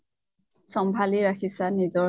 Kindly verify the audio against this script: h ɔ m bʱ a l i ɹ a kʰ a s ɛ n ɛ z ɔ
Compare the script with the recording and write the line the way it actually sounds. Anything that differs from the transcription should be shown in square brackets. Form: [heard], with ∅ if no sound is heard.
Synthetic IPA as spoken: [s] ɔ m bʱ a l i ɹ a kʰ [i] s [a] n [i] z ɔ